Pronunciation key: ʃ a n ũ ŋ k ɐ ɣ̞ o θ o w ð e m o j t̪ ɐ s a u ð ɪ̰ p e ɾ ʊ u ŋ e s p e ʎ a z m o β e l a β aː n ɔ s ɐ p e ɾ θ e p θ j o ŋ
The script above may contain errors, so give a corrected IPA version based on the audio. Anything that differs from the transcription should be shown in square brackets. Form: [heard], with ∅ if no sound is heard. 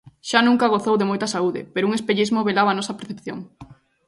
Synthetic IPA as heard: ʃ a n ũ ŋ k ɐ ɣ̞ o θ o w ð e m o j t̪ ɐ s a u ð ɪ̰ p e ɾ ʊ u ŋ e s p e ʎ [i] z m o β e l a β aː n ɔ s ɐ p e ɾ θ e p θ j o ŋ